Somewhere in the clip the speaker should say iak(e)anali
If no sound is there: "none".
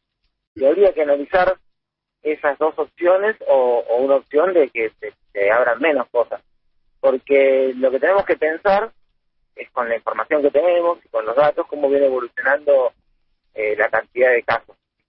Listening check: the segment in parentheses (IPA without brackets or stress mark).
e